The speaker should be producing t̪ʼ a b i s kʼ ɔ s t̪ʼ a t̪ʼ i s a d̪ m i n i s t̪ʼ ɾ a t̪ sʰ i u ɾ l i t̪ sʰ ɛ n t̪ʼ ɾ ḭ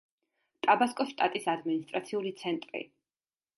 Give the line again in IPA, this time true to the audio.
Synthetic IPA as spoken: t̪ʼ a b a s kʼ ɔ ʃ t̪ʼ a t̪ʼ i s a d̪ m i n i s t̪ʼ ɾ a t̪ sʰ i u l i t̪ sʰ ɛ n t̪ʼ ɾ ḭ